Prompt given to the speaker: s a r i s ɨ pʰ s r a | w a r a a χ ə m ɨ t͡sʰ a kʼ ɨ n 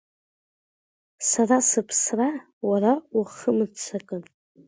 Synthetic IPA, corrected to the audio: s a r a s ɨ pʰ s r a | w a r a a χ ə m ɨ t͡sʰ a kʼ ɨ n